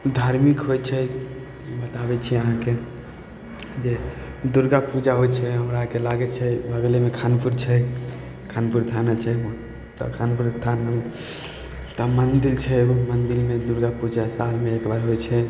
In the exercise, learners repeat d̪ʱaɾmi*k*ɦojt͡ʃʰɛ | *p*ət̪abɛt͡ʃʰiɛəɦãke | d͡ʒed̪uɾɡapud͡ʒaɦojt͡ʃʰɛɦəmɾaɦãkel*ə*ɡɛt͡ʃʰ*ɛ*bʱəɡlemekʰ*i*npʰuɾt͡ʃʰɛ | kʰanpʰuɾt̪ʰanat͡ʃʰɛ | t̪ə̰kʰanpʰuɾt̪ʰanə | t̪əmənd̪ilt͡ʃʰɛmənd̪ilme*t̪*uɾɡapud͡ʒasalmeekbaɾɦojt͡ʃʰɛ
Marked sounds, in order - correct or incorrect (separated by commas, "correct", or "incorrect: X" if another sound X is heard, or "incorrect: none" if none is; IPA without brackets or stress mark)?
correct, incorrect: b, incorrect: a, correct, incorrect: a, incorrect: d̪